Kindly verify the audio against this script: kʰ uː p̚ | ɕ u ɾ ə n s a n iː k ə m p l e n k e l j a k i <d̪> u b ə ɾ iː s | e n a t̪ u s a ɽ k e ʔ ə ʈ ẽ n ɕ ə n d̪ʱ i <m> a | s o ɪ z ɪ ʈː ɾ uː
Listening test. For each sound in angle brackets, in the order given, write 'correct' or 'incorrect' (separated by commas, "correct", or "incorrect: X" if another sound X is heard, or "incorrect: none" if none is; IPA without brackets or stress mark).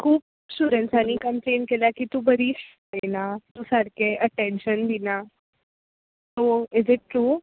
incorrect: t̪, incorrect: n